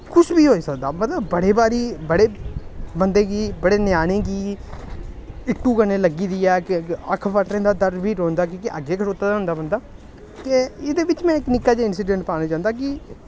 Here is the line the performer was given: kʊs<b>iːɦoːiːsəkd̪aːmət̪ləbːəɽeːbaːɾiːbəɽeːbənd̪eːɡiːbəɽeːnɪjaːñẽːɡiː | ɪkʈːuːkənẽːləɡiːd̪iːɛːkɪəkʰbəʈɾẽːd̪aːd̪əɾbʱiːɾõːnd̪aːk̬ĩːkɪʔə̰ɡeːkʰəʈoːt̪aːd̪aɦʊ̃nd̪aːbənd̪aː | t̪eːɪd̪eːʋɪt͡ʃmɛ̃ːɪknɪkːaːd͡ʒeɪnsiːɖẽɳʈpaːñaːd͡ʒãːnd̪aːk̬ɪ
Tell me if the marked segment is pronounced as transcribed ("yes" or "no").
yes